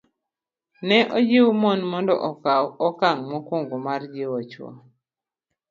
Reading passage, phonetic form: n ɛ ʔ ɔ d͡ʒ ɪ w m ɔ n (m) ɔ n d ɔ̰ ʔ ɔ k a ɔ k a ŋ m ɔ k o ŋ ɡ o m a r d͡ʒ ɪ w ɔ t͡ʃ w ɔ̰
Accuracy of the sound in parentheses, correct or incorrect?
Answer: correct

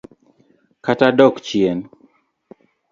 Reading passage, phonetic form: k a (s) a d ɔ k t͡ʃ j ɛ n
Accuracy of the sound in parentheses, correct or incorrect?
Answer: incorrect: t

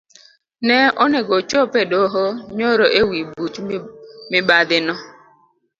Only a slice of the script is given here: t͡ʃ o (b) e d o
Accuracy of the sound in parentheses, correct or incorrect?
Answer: incorrect: p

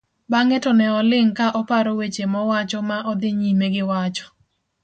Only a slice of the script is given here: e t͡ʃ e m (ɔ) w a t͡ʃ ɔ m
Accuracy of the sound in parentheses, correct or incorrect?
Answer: correct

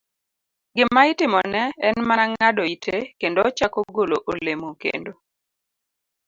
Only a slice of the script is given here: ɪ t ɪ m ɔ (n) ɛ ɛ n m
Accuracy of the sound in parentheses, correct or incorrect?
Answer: correct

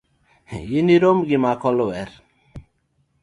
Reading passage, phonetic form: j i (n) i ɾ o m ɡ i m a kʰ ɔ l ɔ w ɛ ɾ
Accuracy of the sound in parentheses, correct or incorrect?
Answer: correct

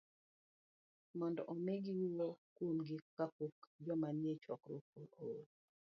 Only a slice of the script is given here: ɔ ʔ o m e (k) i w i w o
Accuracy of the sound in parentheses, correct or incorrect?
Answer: incorrect: ɡ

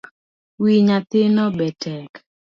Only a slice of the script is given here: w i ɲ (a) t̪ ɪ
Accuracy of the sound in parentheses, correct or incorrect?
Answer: correct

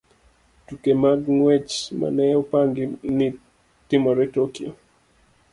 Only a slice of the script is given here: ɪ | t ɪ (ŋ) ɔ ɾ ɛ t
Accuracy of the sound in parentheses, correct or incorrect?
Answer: incorrect: m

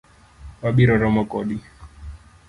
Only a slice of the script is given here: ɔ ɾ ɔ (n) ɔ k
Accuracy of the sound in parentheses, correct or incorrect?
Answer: incorrect: m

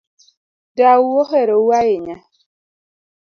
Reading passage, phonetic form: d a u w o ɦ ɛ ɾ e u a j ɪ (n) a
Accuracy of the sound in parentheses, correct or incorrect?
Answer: incorrect: ɲ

